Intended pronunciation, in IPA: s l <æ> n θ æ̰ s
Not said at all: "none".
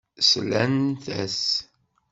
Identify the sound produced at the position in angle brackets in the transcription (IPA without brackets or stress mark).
æ